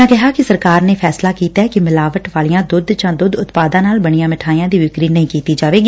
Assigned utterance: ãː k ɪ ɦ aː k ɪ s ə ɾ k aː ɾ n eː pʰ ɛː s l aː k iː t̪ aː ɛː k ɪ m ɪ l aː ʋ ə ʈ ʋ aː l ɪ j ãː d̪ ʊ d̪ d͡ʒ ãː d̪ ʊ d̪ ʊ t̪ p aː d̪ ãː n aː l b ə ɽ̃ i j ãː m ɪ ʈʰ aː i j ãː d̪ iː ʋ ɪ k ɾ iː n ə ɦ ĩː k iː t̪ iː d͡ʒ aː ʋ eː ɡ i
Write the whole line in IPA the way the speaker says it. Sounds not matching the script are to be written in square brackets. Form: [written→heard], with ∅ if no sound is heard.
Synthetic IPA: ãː k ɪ ɦ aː k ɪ s ə ɾ k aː ɾ n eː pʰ ɛː s l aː k iː t̪ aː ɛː k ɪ m ɪ l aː ʋ ə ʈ ʋ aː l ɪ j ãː d̪ ʊ d̪ d͡ʒ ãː d̪ ʊ d̪ ʊ t̪ p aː d̪ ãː n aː l b ə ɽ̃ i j ãː m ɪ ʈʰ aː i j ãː d̪ iː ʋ ɪ k ɾ iː n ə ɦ ĩː k iː t̪ iː d͡ʒ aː ʋ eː ɡ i